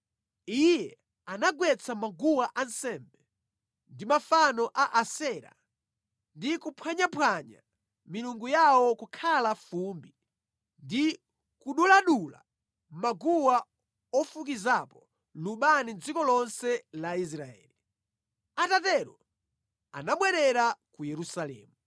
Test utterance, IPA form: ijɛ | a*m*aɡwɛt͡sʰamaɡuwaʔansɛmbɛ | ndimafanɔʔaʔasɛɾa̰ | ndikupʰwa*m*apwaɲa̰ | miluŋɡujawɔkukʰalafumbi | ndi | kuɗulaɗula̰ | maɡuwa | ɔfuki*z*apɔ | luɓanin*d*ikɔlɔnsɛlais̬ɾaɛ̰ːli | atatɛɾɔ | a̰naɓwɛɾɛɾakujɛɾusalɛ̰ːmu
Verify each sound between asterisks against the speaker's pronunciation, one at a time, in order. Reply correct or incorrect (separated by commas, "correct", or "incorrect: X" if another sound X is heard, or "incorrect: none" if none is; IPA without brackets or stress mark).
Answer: incorrect: n, incorrect: ɲ, correct, incorrect: d͡z